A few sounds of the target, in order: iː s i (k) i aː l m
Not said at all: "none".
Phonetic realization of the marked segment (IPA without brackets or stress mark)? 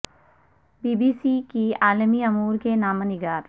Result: k